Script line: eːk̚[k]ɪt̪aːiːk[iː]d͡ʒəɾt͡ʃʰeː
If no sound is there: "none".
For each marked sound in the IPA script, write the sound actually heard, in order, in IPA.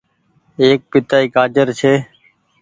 p, aː

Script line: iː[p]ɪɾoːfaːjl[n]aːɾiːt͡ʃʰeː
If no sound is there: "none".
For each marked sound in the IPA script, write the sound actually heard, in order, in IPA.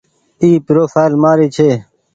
p, m

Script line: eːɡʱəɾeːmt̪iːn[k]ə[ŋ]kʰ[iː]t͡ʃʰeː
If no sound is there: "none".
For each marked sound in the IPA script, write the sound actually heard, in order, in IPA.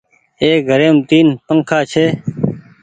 p, ŋ, aː

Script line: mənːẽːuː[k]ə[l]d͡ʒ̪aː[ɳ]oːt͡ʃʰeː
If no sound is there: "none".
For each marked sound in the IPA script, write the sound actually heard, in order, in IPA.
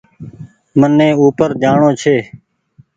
p, ɾ, ɳ

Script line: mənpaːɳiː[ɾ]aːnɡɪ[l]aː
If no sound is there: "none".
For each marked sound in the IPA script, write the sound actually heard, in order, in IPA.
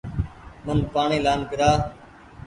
l, ɾ

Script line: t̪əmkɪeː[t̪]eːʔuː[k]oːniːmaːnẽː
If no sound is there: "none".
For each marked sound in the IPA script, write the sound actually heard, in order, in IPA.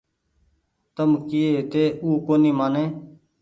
t̪, k

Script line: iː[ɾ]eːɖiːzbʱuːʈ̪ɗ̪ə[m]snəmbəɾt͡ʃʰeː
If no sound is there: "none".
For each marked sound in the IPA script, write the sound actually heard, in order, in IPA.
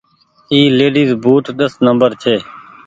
l, none

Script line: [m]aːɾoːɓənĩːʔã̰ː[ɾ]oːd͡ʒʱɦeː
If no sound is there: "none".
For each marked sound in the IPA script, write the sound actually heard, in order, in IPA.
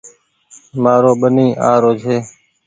m, ɾ

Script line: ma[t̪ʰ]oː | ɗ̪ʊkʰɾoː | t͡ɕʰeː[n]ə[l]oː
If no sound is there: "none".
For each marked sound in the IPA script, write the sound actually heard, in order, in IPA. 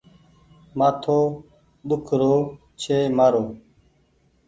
t̪ʰ, m, ɾ

